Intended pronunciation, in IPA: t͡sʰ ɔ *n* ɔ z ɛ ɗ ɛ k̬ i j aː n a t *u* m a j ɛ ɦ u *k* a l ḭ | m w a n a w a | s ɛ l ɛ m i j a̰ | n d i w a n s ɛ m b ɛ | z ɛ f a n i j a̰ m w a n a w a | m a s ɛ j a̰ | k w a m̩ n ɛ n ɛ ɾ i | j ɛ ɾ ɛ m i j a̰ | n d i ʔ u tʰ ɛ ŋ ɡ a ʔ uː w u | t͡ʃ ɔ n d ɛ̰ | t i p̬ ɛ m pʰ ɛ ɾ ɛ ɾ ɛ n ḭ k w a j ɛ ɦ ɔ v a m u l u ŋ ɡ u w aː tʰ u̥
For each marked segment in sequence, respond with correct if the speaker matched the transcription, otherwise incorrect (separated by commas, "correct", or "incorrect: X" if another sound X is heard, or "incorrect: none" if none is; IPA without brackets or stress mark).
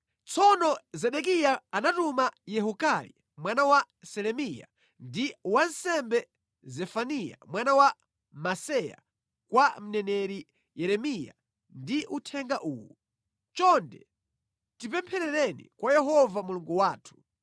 correct, correct, correct